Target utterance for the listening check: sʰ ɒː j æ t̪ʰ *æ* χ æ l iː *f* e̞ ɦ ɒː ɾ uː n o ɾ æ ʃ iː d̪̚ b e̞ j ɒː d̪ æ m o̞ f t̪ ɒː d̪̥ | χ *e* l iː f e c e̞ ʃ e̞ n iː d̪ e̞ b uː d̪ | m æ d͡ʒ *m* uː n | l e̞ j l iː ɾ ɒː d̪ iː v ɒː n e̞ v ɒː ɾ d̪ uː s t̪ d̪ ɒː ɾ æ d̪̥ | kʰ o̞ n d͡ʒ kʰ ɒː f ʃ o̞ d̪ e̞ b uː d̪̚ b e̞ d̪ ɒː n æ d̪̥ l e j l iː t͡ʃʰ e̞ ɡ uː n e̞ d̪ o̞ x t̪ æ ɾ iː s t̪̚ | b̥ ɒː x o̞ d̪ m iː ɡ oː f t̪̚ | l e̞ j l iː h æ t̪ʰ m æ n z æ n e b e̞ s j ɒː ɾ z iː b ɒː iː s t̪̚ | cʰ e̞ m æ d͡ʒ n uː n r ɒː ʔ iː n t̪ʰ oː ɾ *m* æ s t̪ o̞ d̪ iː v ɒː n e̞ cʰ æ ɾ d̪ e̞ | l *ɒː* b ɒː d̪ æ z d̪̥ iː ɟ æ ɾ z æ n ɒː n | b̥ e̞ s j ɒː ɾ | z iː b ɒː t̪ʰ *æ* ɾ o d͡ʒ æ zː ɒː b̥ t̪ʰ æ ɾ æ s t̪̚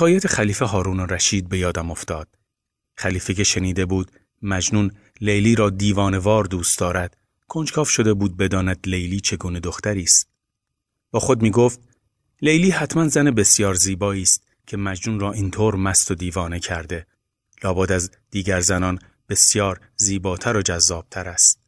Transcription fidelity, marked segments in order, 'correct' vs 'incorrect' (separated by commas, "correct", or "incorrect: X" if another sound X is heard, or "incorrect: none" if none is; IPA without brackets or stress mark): incorrect: e, correct, incorrect: æ, incorrect: n, correct, correct, correct